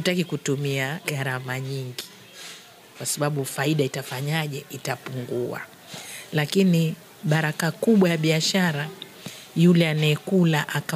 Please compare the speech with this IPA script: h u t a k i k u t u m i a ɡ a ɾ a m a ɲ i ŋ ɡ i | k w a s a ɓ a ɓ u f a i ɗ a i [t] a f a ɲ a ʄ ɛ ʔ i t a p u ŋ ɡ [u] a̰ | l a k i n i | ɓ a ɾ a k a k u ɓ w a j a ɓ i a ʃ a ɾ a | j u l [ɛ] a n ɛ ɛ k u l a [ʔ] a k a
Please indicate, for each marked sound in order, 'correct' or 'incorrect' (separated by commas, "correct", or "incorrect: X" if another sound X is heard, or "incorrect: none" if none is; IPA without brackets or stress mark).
correct, correct, correct, correct